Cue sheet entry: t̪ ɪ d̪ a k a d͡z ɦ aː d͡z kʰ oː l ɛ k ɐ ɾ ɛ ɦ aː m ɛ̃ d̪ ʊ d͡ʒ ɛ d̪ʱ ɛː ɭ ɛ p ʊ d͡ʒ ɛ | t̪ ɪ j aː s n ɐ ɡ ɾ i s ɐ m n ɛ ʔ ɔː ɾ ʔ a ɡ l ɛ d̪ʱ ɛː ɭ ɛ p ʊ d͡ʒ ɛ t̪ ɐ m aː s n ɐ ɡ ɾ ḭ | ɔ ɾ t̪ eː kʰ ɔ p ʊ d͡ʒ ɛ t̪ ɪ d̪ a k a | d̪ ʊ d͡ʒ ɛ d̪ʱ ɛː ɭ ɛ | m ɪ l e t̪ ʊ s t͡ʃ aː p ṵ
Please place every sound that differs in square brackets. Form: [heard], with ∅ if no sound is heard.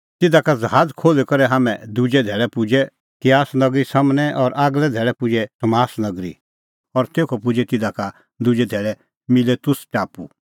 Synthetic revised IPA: t̪ ɪ d̪ a k a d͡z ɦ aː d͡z kʰ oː l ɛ k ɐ ɾ ɛ ɦ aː m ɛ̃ d̪ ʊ d͡ʒ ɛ d̪ʱ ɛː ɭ ɛ p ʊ d͡ʒ ɛ | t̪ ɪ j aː s n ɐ ɡ ɾ i s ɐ m n ɛ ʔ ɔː ɾ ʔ a ɡ l ɛ d̪ʱ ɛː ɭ ɛ p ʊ d͡ʒ ɛ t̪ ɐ m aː s n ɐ ɡ ɾ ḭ | ɔ ɾ t̪ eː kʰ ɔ p ʊ d͡ʒ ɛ t̪ ɪ d̪ a k a | d̪ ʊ d͡ʒ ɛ d̪ʱ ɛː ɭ ɛ | m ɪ l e t̪ ʊ s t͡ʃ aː p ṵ